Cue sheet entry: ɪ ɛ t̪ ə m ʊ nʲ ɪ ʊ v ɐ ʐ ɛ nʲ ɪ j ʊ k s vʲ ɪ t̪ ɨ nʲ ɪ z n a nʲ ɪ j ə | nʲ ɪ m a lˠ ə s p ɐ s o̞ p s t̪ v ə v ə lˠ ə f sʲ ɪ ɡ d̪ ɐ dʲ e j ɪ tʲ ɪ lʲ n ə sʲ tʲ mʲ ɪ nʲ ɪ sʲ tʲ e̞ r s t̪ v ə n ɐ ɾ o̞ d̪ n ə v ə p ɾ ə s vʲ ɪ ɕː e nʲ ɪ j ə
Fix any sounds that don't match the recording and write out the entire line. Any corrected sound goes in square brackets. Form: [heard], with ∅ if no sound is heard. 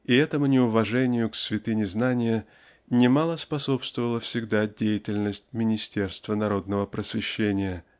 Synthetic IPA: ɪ ɛ t̪ ə m ʊ nʲ ɪ ʊ v ɐ ʐ ɛ nʲ ɪ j ʊ k s vʲ ɪ t̪ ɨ nʲ ɪ z n a nʲ ɪ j ə | nʲ ɪ m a lˠ ə s p ɐ s o̞ p s t̪ v ə v ə lˠ ə f sʲ ɪ ɡ d̪ [a] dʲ e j ɪ tʲ ɪ lʲ n ə sʲ tʲ mʲ ɪ nʲ ɪ sʲ tʲ e̞ r s t̪ v ə n ɐ ɾ o̞ d̪ n ə v ə p ɾ ə s vʲ ɪ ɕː e nʲ ɪ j ə